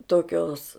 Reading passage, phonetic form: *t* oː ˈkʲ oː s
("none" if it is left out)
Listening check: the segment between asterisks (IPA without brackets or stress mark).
t